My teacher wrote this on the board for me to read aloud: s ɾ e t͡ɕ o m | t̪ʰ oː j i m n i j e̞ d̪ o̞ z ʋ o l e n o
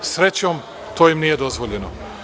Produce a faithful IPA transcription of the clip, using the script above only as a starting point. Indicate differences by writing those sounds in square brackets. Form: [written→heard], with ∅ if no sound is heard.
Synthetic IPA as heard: s ɾ e t͡ɕ o m | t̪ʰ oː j i m n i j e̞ d̪ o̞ z ʋ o [l→ʎ] e n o